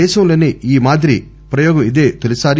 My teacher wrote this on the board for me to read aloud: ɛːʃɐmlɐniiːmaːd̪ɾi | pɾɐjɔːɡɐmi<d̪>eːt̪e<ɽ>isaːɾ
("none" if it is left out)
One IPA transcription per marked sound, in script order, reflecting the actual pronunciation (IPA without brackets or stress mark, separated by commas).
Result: d̪, l